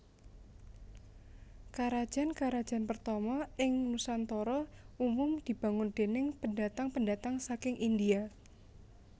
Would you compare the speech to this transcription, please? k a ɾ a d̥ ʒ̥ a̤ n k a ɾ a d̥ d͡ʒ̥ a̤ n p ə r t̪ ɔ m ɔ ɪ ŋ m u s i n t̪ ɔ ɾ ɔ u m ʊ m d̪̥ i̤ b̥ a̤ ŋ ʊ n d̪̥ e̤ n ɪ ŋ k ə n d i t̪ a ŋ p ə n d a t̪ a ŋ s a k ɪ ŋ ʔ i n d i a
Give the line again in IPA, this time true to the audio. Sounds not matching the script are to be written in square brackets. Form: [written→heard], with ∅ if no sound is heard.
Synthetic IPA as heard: k a ɾ a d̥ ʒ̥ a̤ n k a ɾ a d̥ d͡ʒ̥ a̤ n p ə r t̪ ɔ m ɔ ɪ ŋ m u s [i→a] n t̪ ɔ ɾ ɔ u m ʊ m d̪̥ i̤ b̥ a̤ ŋ ʊ n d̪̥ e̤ n ɪ ŋ [k→p] ə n d [i→a] t̪ a ŋ p ə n d a t̪ a ŋ s a k ɪ ŋ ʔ i n d i a